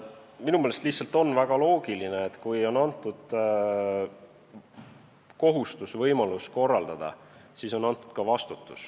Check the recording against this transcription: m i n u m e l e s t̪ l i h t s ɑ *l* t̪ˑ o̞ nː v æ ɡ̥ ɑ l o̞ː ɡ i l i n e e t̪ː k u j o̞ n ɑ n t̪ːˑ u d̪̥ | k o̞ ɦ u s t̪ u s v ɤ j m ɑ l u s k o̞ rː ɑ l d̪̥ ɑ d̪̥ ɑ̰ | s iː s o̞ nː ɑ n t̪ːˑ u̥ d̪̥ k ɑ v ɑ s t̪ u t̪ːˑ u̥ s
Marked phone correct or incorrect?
correct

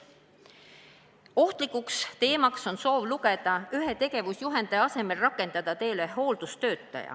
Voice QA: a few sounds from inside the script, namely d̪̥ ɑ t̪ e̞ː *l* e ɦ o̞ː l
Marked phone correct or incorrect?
correct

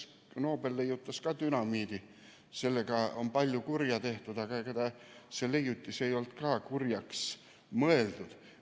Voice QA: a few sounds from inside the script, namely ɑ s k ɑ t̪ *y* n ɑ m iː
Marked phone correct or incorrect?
correct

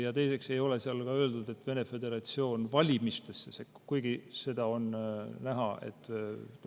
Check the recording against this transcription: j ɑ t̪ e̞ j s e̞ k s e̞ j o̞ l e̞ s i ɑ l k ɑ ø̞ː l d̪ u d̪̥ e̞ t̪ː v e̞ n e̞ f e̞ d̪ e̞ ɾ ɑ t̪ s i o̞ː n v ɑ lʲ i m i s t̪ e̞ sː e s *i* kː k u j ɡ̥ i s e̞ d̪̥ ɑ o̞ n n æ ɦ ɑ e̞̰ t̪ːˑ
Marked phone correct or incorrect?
incorrect: e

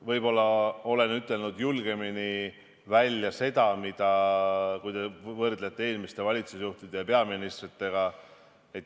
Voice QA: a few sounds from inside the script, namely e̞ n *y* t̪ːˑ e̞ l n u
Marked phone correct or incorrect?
correct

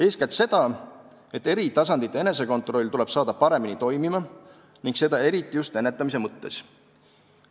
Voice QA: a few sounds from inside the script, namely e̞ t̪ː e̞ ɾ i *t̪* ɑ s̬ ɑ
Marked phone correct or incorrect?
correct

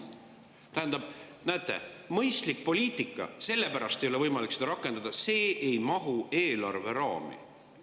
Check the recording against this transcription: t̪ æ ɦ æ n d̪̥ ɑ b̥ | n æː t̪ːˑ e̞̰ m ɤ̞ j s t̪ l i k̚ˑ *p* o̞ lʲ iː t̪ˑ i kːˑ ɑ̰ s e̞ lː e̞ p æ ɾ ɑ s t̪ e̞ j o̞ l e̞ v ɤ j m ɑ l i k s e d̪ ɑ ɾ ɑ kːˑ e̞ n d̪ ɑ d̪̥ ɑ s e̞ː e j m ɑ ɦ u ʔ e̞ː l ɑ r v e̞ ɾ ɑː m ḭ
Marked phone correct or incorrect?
correct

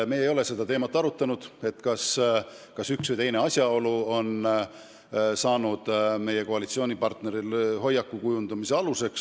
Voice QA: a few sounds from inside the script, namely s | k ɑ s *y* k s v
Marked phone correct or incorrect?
correct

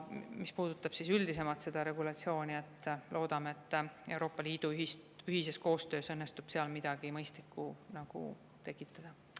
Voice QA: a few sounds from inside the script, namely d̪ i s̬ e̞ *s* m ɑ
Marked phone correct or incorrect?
incorrect: none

